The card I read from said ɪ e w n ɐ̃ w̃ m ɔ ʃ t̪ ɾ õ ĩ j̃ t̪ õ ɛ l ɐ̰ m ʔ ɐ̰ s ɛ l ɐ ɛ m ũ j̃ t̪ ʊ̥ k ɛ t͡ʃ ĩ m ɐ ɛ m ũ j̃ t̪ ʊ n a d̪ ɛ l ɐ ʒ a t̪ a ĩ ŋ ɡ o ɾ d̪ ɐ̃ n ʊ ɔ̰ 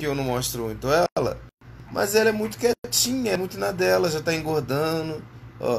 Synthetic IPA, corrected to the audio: ɪ e w n ɐ̃ w̃ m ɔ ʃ t̪ ɾ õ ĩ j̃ t̪ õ ɛ l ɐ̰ m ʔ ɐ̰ z ɛ l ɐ ɛ m ũ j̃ t̪ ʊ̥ k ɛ t͡ʃ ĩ ɲ ɐ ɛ m ũ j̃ t̪ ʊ n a d̪ ɛ l ɐ ʒ a t̪ a ĩ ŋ ɡ o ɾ d̪ ɐ̃ n ʊ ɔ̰